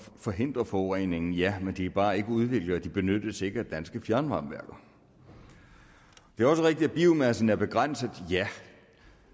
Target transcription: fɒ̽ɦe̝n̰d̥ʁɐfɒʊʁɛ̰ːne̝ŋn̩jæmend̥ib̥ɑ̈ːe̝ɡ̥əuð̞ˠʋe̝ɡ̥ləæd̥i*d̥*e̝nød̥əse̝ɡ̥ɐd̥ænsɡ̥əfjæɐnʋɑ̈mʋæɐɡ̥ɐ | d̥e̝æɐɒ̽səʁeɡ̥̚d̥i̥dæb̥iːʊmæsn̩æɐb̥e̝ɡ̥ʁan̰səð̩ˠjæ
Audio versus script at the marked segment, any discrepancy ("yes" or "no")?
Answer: yes